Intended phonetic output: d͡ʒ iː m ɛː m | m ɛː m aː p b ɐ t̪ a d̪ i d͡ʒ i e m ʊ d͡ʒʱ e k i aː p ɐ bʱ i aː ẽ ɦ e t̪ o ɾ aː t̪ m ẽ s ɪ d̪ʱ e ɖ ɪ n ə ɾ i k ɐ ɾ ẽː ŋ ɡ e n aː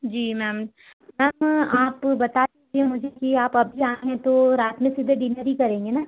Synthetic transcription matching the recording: d͡ʒ iː m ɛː m | m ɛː m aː p b ɐ t̪ a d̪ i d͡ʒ i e m ʊ d͡ʒʱ e k i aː p ɐ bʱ i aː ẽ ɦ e t̪ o ɾ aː t̪ m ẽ s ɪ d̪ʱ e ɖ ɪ n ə ɾ i k ɐ ɾ ẽː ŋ ɡ e n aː